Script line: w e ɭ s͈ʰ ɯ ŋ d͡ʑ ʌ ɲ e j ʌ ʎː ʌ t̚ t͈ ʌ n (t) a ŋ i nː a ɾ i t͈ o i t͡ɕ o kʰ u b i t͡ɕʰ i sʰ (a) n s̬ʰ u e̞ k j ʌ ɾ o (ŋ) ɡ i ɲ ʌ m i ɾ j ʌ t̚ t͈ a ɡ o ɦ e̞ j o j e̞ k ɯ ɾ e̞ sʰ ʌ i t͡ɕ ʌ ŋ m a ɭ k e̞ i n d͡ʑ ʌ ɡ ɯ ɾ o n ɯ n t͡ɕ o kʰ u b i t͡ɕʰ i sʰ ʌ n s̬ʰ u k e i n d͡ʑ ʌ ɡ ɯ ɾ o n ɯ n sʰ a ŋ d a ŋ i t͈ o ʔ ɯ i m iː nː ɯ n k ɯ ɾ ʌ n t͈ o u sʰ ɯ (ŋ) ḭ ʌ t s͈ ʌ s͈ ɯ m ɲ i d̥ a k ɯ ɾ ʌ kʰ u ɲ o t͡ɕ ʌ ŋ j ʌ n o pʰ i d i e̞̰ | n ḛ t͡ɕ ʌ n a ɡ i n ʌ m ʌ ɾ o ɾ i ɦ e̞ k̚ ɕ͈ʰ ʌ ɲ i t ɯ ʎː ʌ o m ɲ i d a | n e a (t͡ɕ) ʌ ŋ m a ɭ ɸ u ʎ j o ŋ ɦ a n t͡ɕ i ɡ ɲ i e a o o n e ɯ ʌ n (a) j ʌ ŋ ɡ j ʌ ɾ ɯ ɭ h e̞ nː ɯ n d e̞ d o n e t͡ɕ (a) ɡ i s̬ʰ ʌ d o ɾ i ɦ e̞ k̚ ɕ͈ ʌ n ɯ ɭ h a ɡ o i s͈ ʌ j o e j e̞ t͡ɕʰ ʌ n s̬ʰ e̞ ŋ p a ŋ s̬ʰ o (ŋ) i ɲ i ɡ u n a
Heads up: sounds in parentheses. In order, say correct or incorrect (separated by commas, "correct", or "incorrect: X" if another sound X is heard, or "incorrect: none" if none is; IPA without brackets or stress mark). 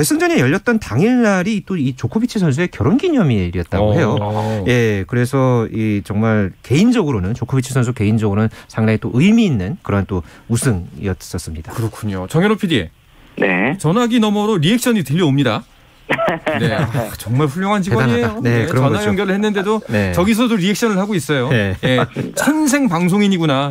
correct, incorrect: ʌ, incorrect: n, correct, correct, correct, incorrect: ʌ, correct